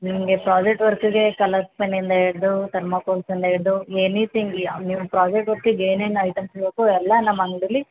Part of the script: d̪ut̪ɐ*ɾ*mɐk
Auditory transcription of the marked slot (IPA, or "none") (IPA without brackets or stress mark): ɾ